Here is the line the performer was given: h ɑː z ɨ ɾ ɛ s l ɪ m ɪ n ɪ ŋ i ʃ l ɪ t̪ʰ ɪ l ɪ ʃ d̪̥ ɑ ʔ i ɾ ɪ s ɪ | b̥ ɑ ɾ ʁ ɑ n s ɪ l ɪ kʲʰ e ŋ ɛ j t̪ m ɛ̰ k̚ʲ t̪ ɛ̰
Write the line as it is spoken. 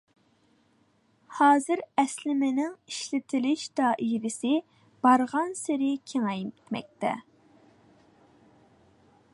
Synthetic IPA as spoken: h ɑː z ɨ ɾ ɛ s l ɪ m ɪ n ɪ ŋ i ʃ l ɪ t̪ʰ ɪ l ɪ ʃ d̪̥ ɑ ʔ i ɾ ɪ s ɪ | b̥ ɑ ɾ ʁ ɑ n s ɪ ɾ ɪ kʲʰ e ŋ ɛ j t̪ m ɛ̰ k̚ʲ t̪ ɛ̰

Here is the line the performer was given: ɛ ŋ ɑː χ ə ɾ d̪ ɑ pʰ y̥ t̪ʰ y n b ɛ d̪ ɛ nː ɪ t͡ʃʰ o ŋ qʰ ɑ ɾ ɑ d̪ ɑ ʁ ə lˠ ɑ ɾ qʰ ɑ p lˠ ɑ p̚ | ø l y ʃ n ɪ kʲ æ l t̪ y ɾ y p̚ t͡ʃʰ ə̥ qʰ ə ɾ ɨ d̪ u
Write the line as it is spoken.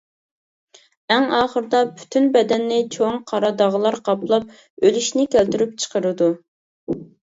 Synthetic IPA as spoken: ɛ ŋ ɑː χ ə ɾ d̪ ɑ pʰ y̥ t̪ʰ y n b ɛ d̪ ɛ nː ɪ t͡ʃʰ o ŋ qʰ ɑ ɾ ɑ d̪ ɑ ʁ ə lˠ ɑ ɾ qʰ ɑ p lˠ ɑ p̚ | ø l y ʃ n ɪ kʲ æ l t̪ y ɾ y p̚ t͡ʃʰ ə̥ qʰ ə ɾ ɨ d̪ u

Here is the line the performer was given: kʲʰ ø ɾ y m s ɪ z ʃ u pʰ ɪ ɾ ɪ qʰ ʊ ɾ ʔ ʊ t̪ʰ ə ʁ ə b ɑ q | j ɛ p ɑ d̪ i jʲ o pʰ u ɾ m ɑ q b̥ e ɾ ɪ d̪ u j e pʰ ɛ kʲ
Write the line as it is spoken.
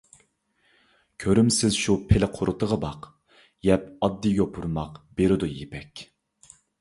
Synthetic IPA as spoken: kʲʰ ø ɾ y m s ɪ z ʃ u pʰ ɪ l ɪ qʰ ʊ ɾ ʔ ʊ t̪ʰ ə ʁ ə b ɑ q | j ɛ p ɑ d̪ː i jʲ o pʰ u ɾ m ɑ q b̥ e ɾ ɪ d̪ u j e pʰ ɛ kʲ

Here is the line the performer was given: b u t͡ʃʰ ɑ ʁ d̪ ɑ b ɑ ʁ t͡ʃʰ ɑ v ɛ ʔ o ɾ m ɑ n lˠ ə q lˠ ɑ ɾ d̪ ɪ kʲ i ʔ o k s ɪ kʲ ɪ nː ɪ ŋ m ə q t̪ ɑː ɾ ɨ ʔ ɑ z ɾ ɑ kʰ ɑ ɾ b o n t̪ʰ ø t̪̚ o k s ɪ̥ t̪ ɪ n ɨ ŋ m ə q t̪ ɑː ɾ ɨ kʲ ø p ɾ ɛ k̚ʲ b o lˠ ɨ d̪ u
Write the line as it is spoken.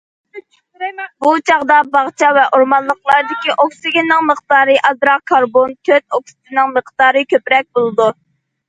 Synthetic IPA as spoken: b u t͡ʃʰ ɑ ʁ d̪ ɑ b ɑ ʁ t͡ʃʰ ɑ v ɛ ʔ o ɾ m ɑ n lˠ ə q lˠ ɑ ɾ d̪ ɪ kʲ i ʔ o k s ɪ ɡʲ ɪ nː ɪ ŋ m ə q t̪ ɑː ɾ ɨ ʔ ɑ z ɾ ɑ kʰ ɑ ɾ b o n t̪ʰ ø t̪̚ o k s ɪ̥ t̪ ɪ n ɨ ŋ m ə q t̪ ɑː ɾ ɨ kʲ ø p ɾ ɛ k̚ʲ b o lˠ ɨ d̪ u

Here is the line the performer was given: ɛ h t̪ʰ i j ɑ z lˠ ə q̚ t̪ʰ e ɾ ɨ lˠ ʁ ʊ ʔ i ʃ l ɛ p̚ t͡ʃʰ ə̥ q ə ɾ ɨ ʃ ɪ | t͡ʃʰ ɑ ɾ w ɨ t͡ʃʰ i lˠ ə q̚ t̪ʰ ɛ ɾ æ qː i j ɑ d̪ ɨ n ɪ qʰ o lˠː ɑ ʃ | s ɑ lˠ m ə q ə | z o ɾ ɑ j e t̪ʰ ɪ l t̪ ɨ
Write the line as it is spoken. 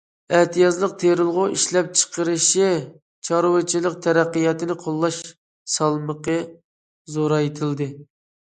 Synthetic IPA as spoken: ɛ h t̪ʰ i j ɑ z lˠ ə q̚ t̪ʰ e ɾ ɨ lˠ ʁ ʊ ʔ i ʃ l ɛ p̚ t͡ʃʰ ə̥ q ə ɾ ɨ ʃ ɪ | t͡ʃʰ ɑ ɾ w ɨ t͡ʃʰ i lˠ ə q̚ t̪ʰ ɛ ɾ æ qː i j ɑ t̪ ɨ n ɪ qʰ o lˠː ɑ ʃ | s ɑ lˠ m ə q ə | z o ɾ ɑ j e t̪ʰ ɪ l d̪ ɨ

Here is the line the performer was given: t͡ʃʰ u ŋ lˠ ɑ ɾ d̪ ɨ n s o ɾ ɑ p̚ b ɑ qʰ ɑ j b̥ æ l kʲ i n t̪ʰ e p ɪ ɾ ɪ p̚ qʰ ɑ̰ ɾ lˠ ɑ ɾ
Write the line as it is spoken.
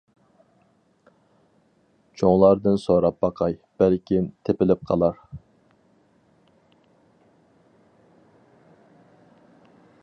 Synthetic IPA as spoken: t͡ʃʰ o ŋ lˠ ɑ ɾ d̪ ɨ n s o ɾ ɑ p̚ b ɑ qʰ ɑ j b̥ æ l kʲ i n t̪ʰ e p ɪ l ɪ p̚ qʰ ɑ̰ lˠ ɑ ɾ

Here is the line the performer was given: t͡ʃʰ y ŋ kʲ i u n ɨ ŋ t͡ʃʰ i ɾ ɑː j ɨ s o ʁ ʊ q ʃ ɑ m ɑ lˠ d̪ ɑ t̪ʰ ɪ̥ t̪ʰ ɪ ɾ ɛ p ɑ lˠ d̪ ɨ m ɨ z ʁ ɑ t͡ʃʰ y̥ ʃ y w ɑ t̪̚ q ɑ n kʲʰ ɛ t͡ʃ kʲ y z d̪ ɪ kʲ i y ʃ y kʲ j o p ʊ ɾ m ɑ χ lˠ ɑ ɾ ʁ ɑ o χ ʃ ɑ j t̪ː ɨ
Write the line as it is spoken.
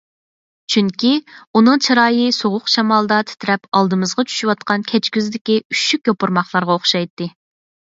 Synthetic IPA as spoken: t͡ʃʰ y ŋ kʲ i u n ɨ ŋ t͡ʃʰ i ɾ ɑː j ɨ s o ʁ ʊ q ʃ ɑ m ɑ lˠ d̪ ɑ t̪ʰ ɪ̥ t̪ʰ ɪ ɾ ɛ p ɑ lˠ d̪ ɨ m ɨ z ʁ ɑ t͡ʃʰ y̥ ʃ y w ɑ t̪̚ q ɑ n kʲʰ ɛ t͡ʃ kʲ y z d̪ ɪ kʲ i y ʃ y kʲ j o p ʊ ɾ m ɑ χ lˠ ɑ ɾ ʁ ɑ o χ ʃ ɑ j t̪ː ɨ

